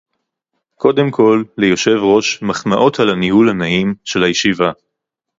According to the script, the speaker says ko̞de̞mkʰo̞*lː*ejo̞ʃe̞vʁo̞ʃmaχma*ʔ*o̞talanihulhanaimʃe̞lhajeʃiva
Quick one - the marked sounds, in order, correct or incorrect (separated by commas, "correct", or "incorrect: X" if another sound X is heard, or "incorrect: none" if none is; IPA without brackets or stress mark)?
correct, correct